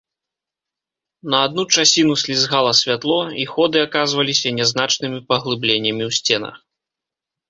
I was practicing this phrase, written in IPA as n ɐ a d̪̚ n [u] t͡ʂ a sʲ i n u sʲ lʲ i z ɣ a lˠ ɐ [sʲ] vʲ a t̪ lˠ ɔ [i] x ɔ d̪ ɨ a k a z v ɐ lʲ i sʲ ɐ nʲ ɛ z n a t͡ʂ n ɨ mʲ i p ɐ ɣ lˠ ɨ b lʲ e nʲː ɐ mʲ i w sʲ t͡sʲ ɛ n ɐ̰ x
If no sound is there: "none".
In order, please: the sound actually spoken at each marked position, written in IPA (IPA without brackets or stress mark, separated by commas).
u, sʲ, i